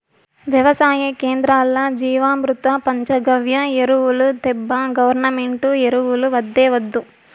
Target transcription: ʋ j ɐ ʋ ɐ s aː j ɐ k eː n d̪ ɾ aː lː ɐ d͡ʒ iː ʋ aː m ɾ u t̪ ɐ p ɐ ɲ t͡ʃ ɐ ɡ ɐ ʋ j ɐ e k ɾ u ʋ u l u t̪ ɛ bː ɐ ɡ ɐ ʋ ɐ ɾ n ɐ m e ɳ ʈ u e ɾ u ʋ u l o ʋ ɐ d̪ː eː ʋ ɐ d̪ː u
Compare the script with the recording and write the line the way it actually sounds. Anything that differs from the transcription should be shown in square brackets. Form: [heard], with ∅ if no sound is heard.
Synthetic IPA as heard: ʋ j ɐ ʋ ɐ s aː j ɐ k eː n d̪ ɾ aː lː ɐ d͡ʒ iː ʋ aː m ɾ u t̪ ɐ p ɐ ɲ t͡ʃ ɐ ɡ ɐ ʋ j ɐ e [∅] ɾ u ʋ u l u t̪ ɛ bː ɐ ɡ ɐ ʋ ɐ ɾ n ɐ m e ɳ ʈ u e ɾ u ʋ u l [u] ʋ ɐ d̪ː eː ʋ ɐ d̪ː u